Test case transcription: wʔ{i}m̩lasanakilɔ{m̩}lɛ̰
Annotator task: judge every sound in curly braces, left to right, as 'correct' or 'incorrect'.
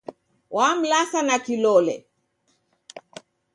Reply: incorrect: a, incorrect: none

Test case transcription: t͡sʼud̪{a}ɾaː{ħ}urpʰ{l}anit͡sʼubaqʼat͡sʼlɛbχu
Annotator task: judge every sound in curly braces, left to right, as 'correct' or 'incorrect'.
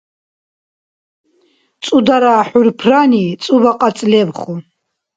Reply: correct, correct, incorrect: r

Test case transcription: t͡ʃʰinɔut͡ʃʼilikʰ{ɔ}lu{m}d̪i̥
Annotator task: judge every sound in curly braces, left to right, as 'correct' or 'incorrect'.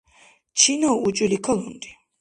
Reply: correct, incorrect: n

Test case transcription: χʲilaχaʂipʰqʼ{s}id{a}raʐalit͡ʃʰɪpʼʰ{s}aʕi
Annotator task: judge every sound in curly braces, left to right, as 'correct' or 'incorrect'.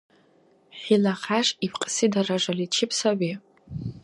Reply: correct, correct, correct

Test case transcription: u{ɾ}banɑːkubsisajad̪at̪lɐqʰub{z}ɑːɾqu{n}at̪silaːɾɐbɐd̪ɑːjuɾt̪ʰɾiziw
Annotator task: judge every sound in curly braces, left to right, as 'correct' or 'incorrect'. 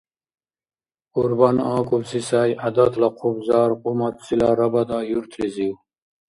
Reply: correct, correct, incorrect: m

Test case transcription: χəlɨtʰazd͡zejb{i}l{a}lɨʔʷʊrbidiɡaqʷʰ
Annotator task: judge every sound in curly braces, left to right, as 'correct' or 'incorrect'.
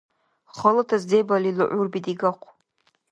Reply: incorrect: a, incorrect: i

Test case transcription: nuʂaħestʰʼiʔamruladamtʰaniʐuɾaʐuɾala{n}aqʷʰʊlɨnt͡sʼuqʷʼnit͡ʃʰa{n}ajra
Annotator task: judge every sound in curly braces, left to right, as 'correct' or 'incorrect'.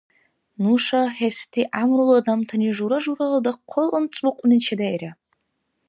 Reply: incorrect: d, incorrect: d

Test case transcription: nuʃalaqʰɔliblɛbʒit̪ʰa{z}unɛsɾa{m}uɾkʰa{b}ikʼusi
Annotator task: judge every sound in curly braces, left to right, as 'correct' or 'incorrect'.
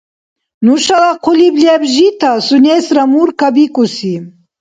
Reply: incorrect: s, correct, correct

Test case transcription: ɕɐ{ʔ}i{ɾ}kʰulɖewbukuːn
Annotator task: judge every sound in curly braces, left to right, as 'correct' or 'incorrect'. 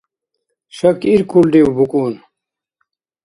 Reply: incorrect: k, correct

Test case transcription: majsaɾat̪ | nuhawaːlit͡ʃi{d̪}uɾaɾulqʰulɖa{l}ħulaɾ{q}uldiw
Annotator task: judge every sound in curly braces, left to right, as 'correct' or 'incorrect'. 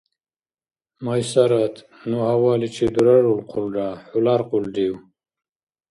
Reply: correct, incorrect: none, correct

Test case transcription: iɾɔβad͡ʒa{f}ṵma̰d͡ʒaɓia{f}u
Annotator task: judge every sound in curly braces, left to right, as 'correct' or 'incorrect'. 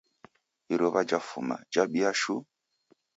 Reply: correct, incorrect: ʃ

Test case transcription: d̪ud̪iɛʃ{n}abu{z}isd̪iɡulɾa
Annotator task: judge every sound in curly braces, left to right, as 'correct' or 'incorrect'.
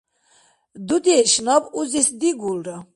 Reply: correct, correct

